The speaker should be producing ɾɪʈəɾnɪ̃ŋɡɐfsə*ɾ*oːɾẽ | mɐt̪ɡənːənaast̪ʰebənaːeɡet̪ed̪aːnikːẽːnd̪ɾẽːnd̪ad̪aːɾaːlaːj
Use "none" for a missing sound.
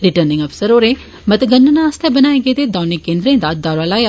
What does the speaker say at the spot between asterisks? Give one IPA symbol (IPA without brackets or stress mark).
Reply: ɾ